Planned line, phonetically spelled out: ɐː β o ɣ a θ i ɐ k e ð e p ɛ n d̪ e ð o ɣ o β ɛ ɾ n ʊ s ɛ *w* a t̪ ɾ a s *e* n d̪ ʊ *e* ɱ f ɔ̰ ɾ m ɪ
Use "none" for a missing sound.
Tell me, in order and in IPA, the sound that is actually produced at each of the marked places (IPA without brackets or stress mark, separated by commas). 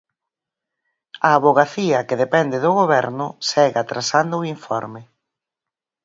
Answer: ɣ, a, i